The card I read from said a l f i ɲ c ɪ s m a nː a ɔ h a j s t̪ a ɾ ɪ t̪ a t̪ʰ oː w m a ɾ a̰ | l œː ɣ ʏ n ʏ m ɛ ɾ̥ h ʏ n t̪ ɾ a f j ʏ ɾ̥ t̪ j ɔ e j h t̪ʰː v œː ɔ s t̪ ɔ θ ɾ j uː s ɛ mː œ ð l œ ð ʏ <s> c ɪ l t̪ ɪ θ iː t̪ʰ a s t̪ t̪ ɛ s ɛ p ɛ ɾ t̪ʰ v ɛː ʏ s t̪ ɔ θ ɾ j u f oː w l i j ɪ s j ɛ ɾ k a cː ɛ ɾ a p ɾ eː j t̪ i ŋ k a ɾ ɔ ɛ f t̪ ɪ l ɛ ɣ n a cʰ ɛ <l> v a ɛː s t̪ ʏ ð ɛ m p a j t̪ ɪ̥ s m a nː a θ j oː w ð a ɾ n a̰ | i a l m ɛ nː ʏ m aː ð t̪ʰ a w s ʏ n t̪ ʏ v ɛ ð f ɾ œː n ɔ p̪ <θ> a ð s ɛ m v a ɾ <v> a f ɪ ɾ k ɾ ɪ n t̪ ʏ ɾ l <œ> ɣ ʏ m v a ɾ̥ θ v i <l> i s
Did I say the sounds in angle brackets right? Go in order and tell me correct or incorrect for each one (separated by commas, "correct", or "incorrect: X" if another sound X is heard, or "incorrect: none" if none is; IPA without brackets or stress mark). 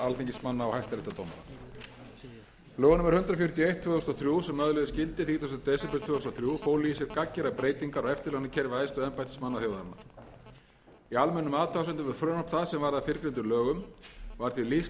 correct, incorrect: ɾ, correct, incorrect: ð, incorrect: œː, correct